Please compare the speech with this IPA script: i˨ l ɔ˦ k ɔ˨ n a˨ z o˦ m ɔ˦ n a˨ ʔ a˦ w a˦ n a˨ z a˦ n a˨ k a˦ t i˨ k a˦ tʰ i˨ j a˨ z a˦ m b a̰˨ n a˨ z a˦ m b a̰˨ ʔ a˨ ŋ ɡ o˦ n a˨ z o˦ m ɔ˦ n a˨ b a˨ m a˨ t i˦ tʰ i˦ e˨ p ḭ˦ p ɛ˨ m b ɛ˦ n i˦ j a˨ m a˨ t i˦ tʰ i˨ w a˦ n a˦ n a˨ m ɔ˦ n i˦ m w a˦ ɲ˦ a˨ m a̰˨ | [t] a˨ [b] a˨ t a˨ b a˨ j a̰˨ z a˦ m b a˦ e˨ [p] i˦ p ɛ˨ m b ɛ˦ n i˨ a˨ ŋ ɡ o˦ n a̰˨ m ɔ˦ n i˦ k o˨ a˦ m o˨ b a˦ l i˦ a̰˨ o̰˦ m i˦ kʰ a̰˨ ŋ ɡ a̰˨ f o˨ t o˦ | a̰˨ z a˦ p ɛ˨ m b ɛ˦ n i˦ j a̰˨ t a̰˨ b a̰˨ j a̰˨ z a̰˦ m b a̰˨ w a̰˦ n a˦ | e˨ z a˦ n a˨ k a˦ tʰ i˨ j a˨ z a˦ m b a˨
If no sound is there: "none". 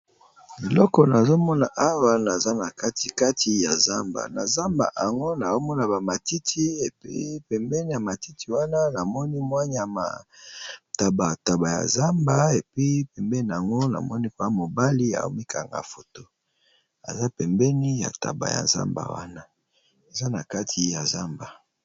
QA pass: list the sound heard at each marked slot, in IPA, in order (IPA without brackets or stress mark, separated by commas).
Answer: t, b, p